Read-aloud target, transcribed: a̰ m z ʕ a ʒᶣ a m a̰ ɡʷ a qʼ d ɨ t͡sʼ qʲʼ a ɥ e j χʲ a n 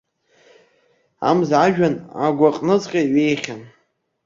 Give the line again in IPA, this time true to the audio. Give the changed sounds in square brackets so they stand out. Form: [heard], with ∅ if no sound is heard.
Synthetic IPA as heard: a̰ m z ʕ a ʒᶣ a [n] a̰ ɡʷ a qʼ [n] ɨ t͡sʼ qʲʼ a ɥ e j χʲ a n